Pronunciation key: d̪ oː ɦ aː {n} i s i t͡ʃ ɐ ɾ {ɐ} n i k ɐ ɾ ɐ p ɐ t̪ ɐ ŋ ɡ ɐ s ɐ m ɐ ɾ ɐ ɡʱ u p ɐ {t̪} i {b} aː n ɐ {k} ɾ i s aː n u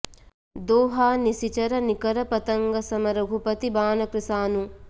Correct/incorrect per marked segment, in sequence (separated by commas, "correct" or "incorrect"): correct, correct, correct, correct, correct